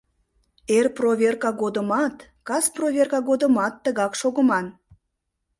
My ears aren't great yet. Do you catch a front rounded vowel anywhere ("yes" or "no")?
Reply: no